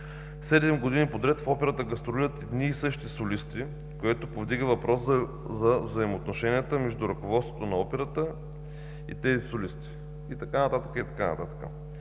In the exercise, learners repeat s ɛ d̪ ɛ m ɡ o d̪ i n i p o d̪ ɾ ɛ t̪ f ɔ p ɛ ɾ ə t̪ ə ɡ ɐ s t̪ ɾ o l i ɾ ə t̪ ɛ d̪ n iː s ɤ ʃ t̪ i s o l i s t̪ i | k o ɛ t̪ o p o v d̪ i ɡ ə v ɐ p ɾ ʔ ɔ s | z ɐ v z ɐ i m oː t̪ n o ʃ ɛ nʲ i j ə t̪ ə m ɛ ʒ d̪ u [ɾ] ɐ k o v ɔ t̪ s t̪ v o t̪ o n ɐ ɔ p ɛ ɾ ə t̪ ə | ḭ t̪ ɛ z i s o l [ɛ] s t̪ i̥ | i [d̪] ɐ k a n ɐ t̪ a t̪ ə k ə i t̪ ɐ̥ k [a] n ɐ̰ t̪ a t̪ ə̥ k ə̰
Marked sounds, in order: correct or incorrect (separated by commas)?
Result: correct, incorrect, incorrect, correct